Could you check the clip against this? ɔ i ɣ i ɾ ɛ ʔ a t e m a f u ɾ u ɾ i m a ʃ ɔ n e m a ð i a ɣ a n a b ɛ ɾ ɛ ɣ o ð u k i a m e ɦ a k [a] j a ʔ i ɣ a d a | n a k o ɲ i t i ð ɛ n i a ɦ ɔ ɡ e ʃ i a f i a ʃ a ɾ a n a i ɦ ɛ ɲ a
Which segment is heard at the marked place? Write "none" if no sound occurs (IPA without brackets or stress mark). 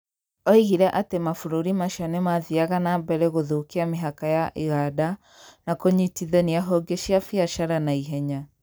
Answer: a